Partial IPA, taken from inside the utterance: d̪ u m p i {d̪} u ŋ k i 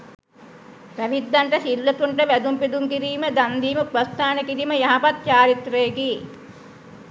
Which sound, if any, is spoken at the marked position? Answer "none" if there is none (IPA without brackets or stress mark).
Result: d̪